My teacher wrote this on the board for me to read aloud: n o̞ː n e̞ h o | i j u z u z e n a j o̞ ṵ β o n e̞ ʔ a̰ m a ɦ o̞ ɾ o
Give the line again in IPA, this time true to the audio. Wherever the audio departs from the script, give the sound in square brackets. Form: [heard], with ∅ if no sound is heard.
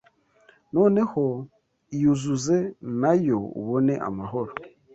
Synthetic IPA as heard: n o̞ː n e̞ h o | i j u z u z e n a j o̞ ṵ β o n e̞ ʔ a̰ m a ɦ o̞ ɾ o